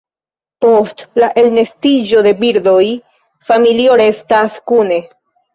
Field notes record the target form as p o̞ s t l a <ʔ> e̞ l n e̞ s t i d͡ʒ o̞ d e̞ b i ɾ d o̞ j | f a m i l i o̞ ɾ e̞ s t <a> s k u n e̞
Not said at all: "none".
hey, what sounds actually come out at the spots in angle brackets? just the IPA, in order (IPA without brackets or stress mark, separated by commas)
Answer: ʔ, a